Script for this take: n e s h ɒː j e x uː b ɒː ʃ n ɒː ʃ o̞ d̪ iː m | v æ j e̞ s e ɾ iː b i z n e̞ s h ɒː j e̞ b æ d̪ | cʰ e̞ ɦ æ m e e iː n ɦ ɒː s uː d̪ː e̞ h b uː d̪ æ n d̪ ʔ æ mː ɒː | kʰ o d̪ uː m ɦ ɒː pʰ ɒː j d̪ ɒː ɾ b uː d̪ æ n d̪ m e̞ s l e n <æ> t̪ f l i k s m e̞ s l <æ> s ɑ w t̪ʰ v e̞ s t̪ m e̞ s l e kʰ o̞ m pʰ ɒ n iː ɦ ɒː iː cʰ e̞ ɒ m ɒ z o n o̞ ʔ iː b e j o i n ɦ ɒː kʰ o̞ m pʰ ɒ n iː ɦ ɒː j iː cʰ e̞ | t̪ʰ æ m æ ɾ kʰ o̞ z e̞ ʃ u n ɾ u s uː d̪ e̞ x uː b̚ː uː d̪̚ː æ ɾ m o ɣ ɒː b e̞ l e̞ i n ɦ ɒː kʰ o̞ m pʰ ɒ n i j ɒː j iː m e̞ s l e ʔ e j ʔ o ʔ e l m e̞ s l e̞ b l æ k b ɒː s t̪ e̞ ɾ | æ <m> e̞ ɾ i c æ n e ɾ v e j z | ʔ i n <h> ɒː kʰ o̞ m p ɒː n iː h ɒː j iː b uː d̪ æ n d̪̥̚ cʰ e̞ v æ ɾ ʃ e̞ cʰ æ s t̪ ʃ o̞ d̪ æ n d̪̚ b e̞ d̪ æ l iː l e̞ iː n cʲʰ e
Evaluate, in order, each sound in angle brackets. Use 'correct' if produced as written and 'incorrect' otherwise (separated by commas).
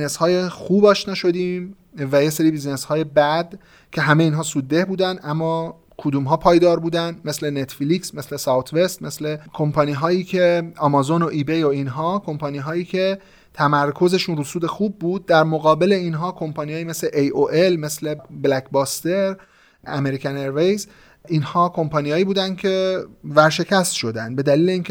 incorrect, incorrect, correct, correct